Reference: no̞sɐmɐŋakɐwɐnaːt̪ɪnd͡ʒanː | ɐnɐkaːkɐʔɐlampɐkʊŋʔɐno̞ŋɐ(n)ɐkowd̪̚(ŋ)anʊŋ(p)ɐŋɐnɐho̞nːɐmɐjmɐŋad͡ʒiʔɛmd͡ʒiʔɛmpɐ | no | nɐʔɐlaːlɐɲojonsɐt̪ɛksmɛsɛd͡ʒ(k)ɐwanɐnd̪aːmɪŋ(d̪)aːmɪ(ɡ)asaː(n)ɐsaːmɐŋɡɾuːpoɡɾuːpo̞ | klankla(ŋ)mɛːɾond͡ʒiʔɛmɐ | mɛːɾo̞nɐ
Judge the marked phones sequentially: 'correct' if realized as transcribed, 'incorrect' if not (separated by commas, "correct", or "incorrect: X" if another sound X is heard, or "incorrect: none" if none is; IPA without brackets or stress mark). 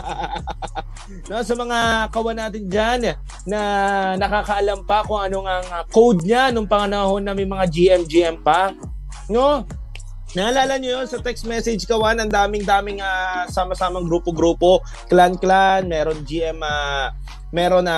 incorrect: ŋ, incorrect: ɲ, correct, correct, correct, incorrect: ŋ, incorrect: m, incorrect: n